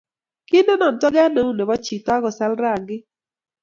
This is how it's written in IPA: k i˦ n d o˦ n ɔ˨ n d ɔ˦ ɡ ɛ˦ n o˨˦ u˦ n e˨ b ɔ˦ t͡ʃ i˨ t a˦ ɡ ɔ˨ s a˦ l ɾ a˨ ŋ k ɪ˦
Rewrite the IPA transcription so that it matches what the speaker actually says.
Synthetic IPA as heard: k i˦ n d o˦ n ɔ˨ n t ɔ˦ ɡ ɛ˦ n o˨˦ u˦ n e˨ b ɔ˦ t͡ʃ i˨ t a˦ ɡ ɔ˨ s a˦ l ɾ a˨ ŋ ɡ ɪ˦